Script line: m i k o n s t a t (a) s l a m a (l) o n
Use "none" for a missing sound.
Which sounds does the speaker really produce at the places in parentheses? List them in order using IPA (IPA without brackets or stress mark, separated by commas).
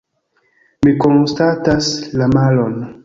a, l